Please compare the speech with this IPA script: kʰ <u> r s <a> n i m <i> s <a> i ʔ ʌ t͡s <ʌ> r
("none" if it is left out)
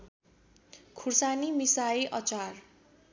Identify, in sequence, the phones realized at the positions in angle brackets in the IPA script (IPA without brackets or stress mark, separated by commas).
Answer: u, a, i, a, a